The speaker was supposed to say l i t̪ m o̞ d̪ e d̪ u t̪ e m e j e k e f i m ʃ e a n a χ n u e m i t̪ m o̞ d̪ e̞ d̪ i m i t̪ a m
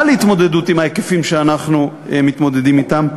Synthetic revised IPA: l i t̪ m o̞ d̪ e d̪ u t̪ i m a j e k e f i m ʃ e a n a χ n u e m i t̪ m o̞ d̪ e̞ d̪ i m i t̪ a m